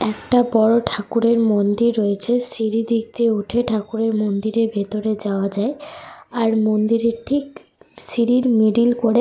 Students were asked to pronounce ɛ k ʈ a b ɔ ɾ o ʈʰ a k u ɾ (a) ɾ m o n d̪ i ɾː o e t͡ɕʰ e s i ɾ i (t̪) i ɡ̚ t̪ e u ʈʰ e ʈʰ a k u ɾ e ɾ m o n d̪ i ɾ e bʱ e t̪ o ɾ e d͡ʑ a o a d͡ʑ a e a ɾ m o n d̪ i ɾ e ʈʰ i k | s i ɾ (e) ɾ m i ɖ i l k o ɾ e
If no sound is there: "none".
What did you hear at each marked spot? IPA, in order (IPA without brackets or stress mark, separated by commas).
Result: e, d̪, i